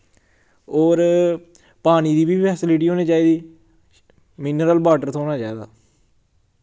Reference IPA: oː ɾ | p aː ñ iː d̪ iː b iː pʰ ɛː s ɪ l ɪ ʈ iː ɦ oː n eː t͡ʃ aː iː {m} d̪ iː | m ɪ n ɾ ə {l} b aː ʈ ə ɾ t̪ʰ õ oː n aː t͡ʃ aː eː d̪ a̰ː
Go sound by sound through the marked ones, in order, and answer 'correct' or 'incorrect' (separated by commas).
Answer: incorrect, correct